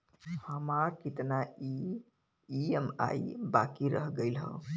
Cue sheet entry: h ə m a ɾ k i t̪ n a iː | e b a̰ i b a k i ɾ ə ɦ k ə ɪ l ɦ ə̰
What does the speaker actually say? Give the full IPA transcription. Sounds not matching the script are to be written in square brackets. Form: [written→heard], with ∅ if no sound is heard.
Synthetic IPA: h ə m a ɾ k i t̪ n a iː | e [b→m] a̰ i b a k i ɾ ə ɦ [k→ɡ] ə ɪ l ɦ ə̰